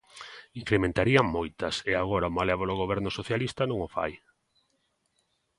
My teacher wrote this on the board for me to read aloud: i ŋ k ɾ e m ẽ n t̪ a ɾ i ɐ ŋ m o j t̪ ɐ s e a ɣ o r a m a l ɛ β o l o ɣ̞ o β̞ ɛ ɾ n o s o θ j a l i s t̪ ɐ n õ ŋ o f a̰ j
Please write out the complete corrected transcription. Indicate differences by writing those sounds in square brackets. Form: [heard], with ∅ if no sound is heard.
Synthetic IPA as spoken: i ŋ k ɾ e m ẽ n t̪ a ɾ i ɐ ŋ m o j t̪ ɐ s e a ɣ o [ɾ] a m a l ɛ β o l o ɣ̞ o β̞ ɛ ɾ n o s o θ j a l i s t̪ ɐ n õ ŋ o f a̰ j

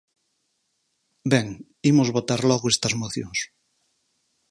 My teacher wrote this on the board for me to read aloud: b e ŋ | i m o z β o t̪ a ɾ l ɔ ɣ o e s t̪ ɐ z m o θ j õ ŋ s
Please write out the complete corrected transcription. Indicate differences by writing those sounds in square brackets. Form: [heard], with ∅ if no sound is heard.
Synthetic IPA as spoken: b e ŋ | i m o z β o t̪ a ɾ l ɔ ɣ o e s t̪ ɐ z m o θ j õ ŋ s

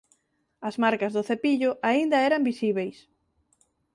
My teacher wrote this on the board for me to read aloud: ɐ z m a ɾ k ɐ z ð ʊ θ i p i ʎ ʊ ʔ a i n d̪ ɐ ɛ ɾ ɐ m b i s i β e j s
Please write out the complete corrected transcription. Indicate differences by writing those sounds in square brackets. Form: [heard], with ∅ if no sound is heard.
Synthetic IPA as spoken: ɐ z m a ɾ k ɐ z ð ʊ θ [e] p i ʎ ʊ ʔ a i n d̪ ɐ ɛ ɾ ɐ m b i s i β e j s

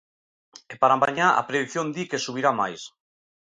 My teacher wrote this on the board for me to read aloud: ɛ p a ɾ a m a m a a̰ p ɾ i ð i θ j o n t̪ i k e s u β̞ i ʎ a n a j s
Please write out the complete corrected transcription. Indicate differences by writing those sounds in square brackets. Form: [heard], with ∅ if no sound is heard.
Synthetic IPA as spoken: [e] p a ɾ a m a [ɲ] a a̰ p ɾ [e] ð i θ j o n [d̪] i k e s u β̞ i [ɾ] a [m] a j s

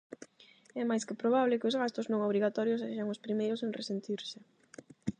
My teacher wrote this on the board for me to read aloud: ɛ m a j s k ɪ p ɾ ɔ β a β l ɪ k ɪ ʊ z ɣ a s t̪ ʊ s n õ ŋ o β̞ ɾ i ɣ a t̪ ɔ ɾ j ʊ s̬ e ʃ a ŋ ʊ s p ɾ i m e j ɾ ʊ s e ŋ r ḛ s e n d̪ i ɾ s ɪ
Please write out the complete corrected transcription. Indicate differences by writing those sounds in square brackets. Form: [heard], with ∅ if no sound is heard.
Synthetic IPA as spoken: ɛ m a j s k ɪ p ɾ [o] β a β l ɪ k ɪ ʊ z ɣ a s t̪ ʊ [z] n õ ŋ o β̞ ɾ i ɣ a t̪ ɔ ɾ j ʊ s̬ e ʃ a ŋ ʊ s p ɾ i m e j ɾ ʊ s e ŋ r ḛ s e n [t̪] i ɾ s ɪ

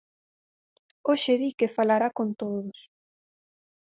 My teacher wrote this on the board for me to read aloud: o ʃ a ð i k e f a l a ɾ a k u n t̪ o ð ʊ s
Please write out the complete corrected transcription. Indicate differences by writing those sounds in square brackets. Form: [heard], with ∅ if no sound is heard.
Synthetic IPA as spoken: o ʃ [e] ð i k e f a l a ɾ a k [o] n t̪ o ð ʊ s

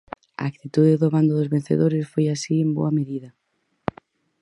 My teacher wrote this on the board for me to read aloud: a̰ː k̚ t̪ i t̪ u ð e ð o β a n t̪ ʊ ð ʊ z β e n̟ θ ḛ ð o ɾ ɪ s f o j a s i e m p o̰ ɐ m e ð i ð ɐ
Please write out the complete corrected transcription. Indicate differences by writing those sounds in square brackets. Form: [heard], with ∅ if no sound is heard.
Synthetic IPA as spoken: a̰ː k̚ t̪ i t̪ u ð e ð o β a n [d̪] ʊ ð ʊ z β e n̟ θ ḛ ð o ɾ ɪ s f o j a s i e m [b] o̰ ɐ m e ð i ð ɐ

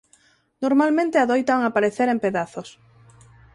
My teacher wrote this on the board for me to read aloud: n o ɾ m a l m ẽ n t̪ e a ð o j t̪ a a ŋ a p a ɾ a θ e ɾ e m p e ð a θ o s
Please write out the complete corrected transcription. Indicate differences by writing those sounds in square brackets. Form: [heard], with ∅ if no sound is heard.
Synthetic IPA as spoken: n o ɾ m a l m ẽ n t̪ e a ð o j t̪ a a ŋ a p a ɾ [e] θ e ɾ e m p e ð a θ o s

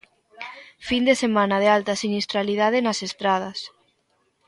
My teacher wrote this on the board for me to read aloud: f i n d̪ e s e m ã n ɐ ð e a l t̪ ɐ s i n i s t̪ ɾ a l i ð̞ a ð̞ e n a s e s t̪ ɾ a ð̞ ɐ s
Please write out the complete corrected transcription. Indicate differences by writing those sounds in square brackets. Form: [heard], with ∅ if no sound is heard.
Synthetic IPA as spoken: f i n d̪ e s e m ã n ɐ ð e a l t̪ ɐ s i n i s t̪ ɾ a l i ð̞ a ð̞ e n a s e s t̪ ɾ a ð̞ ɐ s

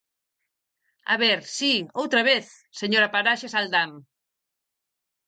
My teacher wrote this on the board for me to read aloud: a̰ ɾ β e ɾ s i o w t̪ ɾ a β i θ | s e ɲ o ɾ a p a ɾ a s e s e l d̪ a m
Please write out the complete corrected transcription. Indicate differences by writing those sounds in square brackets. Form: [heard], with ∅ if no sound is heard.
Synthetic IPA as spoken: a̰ [∅] β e ɾ s i o w t̪ ɾ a β [e] θ | s e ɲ o ɾ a p a ɾ a [ʃ] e s [a] l d̪ a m

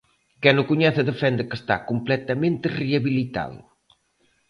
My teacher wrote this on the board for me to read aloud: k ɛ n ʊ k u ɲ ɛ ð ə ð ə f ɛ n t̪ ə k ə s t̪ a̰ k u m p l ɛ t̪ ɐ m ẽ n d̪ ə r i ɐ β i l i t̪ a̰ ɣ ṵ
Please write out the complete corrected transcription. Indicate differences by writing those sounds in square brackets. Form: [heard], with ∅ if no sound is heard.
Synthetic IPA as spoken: k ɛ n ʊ k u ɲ ɛ [θ] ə ð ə f ɛ n [d̪] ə k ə s t̪ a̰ k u m p l ɛ t̪ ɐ m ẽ n [t̪] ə r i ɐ β i l i t̪ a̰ [ð] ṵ

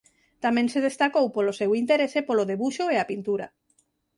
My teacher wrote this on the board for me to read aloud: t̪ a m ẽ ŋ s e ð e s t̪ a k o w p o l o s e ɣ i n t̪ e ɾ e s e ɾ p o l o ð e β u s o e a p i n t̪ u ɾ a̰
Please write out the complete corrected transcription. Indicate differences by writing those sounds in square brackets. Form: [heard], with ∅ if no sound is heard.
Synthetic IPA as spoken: t̪ a m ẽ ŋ s e ð e s t̪ a k o w p o l o s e [w] i n t̪ e ɾ e s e [∅] p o l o ð e β u [ʃ] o e a p i n t̪ u ɾ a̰

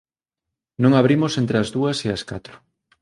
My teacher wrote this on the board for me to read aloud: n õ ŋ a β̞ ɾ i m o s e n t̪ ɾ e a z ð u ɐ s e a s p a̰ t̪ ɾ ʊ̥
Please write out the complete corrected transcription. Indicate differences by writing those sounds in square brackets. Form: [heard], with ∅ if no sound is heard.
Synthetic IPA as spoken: n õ ŋ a β̞ ɾ i m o s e n t̪ ɾ e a z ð u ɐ s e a s [k] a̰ t̪ ɾ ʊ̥

